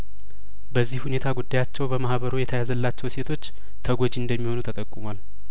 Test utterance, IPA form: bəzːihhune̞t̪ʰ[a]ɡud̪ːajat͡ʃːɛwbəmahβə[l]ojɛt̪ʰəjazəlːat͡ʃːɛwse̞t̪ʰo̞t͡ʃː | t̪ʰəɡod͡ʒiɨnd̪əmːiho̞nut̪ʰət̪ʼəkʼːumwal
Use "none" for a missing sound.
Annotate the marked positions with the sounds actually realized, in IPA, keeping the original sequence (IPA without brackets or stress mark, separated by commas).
a, ɾ